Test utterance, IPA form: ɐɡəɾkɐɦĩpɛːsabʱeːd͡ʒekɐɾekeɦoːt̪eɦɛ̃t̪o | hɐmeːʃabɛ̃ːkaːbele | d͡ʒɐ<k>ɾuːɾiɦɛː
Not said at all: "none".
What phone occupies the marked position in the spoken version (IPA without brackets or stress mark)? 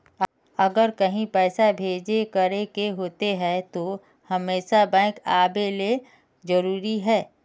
none